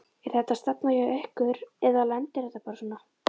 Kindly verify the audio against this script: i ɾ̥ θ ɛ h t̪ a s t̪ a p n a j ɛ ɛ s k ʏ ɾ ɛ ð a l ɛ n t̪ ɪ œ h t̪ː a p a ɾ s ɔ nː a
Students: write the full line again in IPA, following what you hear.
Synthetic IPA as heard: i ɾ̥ θ ɛ h t̪ a s t̪ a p n a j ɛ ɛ h k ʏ ɾ ɛ ð a l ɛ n t̪ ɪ ɛ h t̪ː a p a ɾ s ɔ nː a

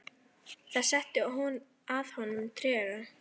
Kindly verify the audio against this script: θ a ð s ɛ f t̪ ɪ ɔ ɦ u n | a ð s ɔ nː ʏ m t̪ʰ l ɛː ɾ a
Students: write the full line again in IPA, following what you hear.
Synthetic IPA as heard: θ a ð s ɛ h t̪ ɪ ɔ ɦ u n | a ð h ɔ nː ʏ m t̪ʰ ɾ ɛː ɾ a

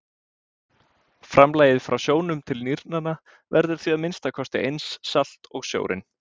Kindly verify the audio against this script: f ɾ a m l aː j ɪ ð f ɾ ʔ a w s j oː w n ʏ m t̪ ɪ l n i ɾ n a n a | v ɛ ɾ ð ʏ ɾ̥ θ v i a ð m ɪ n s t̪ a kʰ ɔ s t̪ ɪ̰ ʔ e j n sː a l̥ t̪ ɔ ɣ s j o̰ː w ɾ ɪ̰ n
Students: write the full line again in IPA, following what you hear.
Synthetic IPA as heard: f ɾ a m l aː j ɪ ð f ɾ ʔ a w s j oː w n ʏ m t̪ʰ ɪ l n i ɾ n a n a | v ɛ ɾ ð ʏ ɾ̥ θ v i a ð m ɪ n s t̪ a kʰ ɔ s t̪ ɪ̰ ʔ e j n sː a l̥ t̪ ɔ ɣ s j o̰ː w ɾ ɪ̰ n

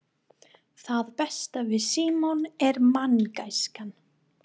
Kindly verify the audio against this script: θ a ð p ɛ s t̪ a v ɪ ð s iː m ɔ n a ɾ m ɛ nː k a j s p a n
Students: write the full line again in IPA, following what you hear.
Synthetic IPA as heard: θ a ð p ɛ s t̪ a v ɪ ð s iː m ɔ n ɛ ɾ m a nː k a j s k a n

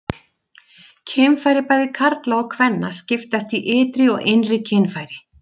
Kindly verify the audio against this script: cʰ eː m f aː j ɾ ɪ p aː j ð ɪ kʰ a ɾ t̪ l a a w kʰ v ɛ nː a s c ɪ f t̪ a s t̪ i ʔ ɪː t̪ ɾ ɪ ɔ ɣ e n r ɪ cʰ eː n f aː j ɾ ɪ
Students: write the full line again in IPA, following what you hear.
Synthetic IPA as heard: cʰ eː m f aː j ɾ ɪ p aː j ð ɪ kʰ a ɾ t̪ l a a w kʰ v ɛ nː a s c ɪ f t̪ a s t̪ i ʔ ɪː t̪ ɾ ɪ ɔ ɣ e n r ɪ cʰ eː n f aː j ɾ ɪ

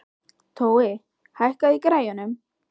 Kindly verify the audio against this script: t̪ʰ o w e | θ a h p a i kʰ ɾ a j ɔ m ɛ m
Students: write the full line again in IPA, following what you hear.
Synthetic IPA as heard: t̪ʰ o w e | h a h k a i k ɾ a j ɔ n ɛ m

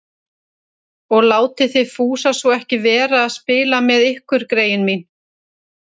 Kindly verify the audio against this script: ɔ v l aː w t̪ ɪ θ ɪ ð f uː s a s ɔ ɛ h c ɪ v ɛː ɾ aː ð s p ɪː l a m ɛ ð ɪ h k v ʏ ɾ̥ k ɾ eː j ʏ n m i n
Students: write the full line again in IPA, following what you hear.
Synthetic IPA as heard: ɔ ɣ l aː w t̪ ɪ θ ɪ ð f uː s a s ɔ ɛ h c ɪ v ɛː ɾ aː ð s p ɪː l a m ɛ ð ɪ h k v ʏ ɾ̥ k ɾ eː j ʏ n m i n

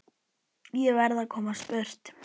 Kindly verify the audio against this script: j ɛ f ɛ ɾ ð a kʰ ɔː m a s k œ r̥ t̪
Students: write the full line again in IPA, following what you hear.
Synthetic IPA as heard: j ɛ v ɛ ɾ ð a kʰ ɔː m a s p œ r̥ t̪

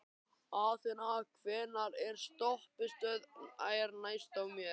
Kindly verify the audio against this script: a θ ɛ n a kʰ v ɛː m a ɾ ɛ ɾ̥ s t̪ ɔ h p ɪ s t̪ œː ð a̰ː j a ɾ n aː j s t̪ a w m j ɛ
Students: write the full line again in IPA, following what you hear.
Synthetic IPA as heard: a θ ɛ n a kʰ v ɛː n a ɾ ɛ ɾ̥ s t̪ ɔ h p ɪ s t̪ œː ð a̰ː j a ɾ n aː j s t̪ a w m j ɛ

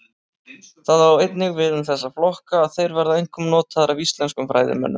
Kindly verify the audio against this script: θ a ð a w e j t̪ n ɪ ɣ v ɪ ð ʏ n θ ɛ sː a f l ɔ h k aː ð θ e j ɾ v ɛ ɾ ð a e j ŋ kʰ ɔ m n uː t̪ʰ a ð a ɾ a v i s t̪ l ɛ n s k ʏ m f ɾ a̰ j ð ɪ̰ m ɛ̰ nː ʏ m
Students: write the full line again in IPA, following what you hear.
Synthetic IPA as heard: θ a ð a w e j t̪ n ɪ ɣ v ɪ ð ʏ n θ ɛ sː a f l ɔ h k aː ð θ e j ɾ v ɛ ɾ ð a e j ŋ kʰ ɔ m n ɔː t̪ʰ a ð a ɾ a v i s t̪ l ɛ n s k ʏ m f ɾ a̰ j ð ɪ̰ m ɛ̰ nː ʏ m

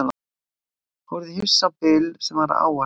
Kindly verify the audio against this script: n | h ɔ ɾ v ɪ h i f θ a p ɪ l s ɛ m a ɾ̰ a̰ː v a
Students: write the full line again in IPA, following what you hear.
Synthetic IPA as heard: n | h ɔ ɾ ð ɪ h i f s a p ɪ l s ɛ m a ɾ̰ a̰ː w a

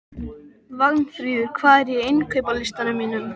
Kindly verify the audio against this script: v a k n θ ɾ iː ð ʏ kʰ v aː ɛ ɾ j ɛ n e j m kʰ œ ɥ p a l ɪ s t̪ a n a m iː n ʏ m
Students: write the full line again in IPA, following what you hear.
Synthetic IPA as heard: v a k n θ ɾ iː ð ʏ kʰ v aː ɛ ɾ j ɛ e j n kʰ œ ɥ p a l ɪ s t̪ a n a m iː n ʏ m

